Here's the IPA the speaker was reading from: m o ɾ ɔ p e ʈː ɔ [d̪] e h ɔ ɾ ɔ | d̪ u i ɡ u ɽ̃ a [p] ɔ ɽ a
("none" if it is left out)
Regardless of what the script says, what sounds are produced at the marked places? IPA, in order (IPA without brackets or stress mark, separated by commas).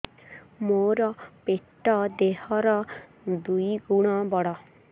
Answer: d̪, b